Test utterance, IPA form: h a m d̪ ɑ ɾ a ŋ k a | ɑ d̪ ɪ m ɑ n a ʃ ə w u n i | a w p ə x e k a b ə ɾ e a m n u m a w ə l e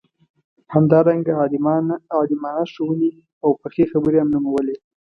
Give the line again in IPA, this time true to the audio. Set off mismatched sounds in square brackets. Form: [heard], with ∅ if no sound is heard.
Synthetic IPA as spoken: h a m d̪ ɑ ɾ a ŋ [ɡ] a | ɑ d̪ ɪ m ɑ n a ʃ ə w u n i | a w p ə x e [x] a b ə ɾ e a m n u m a w ə l e